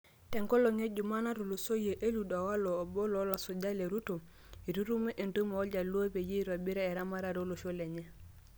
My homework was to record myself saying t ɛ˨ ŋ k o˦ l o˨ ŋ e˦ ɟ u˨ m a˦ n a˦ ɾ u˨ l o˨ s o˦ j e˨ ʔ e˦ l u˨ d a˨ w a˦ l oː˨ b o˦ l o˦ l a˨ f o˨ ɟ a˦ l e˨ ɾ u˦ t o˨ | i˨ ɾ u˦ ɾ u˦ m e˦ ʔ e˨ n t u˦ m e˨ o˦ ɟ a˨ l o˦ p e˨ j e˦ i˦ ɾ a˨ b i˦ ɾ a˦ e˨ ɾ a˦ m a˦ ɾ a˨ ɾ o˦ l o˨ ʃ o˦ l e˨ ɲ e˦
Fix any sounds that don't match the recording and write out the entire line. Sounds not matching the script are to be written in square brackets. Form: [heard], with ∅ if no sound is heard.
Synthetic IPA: t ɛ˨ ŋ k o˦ l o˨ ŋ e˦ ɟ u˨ m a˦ n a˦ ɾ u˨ l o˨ s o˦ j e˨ ʔ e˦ l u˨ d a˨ w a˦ l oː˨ b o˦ l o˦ l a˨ [s] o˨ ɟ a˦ l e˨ ɾ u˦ t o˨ | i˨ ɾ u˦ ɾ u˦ m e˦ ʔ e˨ n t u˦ m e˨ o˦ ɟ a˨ l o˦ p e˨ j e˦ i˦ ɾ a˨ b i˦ ɾ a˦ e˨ ɾ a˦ m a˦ ɾ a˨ ɾ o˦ l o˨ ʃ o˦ l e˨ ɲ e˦